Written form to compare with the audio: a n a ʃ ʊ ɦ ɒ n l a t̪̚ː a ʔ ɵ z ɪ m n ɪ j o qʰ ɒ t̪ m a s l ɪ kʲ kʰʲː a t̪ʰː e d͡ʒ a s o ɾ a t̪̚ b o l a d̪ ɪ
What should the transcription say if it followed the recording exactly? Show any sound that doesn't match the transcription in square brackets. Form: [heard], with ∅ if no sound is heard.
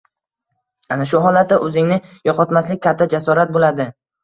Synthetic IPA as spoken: a n a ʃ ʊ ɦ ɒ [∅] l a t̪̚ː a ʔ ɵ z ɪ [ŋ] n ɪ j [ɒ] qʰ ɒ t̪ m a s l ɪ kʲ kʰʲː a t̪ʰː [a] d͡ʒ a s [ɒ] ɾ a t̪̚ b o l a d̪ ɪ